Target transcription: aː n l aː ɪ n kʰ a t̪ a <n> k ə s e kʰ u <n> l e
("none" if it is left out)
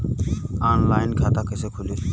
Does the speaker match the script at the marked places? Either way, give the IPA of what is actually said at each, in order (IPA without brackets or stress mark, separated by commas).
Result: none, none